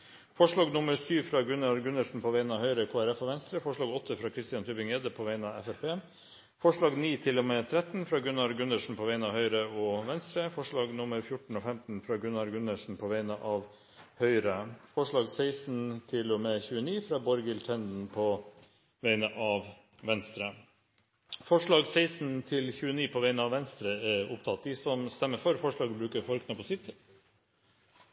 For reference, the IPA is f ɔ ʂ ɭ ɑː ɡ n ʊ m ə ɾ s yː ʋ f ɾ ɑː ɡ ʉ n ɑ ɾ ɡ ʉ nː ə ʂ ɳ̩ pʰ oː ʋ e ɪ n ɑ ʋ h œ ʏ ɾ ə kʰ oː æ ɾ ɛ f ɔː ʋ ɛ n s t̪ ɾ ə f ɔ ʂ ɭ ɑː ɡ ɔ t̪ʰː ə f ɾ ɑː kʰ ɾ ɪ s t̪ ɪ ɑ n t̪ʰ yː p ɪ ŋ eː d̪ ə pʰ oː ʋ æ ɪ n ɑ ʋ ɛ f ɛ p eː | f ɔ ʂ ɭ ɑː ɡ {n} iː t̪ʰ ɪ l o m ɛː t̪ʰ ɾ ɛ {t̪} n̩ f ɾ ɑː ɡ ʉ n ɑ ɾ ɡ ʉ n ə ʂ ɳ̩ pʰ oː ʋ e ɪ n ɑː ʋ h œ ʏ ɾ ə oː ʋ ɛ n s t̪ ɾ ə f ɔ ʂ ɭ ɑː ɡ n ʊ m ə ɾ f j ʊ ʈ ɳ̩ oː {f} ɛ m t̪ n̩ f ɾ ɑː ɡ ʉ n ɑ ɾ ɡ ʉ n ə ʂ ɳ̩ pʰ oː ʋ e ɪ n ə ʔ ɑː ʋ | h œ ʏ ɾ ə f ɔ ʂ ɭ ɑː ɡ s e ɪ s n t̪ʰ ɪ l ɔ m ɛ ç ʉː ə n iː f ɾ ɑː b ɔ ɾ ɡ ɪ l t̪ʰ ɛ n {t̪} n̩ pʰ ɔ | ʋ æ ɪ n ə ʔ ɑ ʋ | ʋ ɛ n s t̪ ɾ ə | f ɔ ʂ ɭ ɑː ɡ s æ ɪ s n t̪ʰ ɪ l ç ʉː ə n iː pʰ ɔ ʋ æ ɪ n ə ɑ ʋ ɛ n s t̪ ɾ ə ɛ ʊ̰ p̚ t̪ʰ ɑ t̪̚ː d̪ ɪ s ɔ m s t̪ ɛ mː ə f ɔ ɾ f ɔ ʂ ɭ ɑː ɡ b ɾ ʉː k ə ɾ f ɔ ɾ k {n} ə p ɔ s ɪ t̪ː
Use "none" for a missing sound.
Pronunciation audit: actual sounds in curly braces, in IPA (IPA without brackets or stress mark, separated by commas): n, t̪, f, d̪, n